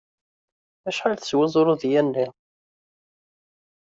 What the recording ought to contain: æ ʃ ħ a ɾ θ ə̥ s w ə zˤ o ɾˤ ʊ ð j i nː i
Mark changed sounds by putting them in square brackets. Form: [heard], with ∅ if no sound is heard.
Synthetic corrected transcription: æ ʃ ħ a [l] θ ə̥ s w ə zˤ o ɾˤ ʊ ð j [æ] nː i